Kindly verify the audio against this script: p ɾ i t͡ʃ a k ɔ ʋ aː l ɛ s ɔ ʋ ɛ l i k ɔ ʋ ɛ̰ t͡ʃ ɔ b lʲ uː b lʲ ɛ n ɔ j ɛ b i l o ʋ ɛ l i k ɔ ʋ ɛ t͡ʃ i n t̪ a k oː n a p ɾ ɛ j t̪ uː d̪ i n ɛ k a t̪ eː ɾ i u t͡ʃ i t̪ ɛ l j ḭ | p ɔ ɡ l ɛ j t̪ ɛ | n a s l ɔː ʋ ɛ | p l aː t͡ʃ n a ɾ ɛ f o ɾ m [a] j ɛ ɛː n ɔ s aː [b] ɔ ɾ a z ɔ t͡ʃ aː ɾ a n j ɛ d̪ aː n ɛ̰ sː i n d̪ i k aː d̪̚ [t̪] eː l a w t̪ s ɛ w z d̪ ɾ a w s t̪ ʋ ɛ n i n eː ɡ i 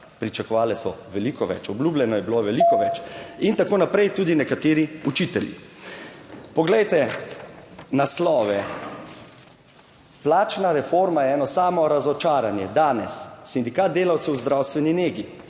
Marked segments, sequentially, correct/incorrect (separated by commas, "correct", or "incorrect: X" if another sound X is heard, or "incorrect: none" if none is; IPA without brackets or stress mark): correct, incorrect: m, incorrect: d̪